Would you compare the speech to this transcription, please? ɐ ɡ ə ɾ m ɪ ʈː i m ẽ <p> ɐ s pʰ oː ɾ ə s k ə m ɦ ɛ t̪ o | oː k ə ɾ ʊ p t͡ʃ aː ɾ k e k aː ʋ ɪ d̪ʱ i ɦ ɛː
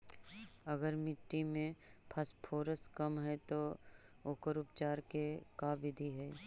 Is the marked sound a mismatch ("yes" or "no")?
yes